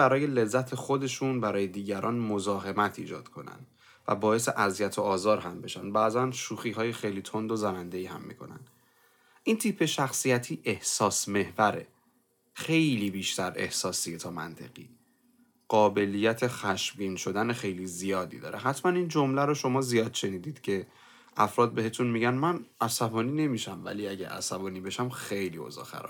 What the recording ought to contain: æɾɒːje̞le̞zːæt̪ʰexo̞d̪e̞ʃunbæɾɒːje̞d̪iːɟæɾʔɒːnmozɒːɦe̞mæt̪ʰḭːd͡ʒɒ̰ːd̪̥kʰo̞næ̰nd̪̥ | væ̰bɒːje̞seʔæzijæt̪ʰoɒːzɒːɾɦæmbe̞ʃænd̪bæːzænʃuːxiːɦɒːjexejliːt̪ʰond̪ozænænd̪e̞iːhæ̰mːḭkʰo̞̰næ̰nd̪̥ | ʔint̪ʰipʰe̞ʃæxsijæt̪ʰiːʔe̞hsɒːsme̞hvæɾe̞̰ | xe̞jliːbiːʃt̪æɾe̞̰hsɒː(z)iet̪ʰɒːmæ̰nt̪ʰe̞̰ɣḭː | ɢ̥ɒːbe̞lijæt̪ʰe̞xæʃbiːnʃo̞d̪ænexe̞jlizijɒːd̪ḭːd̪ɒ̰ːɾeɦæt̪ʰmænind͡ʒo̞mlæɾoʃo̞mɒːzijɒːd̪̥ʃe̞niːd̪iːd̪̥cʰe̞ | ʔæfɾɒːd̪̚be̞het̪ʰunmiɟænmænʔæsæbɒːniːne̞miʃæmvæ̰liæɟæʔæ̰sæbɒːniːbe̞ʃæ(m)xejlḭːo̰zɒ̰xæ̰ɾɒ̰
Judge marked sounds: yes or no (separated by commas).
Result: no, yes